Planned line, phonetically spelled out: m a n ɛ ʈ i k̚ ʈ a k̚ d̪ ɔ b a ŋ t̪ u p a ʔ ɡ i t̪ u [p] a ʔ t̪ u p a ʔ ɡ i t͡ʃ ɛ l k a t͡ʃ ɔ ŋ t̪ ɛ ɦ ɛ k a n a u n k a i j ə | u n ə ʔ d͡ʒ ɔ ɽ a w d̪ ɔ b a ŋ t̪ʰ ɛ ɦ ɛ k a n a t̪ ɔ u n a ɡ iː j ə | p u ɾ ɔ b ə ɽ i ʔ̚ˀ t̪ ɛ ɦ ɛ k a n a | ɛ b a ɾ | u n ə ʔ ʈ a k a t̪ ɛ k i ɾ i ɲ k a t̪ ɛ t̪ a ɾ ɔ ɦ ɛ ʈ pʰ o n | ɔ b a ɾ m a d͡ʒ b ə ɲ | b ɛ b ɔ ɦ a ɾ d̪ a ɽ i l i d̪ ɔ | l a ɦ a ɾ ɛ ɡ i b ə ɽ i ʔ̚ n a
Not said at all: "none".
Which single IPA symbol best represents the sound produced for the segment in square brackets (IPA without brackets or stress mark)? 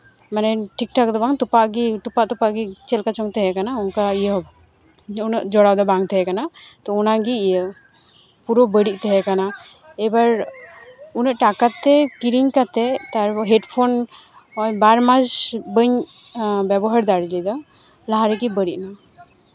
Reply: p